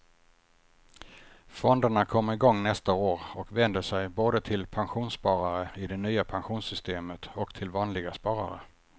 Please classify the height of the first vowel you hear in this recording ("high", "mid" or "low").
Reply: mid